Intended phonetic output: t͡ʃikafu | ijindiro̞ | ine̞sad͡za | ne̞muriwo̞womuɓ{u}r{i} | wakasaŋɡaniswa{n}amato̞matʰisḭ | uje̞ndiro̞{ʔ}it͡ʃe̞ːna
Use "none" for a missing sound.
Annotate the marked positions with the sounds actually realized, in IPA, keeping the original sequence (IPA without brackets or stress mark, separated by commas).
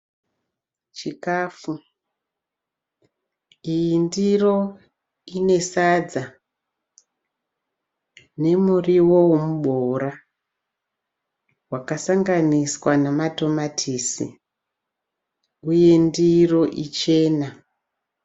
o, a, n, ʔ